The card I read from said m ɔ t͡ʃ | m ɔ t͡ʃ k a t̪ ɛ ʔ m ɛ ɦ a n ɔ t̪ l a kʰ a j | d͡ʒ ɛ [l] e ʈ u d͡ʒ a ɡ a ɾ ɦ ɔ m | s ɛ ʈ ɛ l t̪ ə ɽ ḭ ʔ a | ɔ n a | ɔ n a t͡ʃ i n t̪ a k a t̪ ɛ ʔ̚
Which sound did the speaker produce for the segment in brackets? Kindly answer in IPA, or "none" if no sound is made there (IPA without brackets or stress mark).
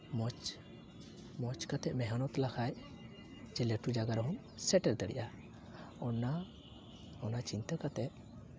l